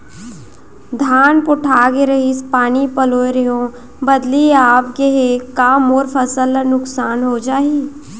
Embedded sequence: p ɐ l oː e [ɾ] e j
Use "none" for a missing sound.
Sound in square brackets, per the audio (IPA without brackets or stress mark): ɾ